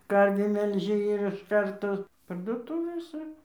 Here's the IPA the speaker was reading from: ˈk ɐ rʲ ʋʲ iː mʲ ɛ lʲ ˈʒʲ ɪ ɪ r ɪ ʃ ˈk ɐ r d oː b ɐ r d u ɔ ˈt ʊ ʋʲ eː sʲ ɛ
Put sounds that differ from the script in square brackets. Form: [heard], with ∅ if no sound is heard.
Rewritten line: ˈk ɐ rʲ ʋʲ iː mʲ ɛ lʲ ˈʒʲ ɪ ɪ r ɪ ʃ ˈk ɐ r [t] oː [p] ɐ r d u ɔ ˈt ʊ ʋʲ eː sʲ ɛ